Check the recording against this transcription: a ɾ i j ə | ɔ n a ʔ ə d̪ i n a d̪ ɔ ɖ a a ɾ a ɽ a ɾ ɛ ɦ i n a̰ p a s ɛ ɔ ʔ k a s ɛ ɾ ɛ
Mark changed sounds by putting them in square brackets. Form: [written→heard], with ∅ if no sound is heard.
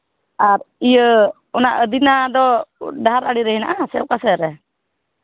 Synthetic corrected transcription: a ɾ i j ə | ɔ n a ʔ ə d̪ i n a d̪ ɔ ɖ a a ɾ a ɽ [a→i] ɾ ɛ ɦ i n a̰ [p→ʔ] a s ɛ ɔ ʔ k a s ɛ ɾ ɛ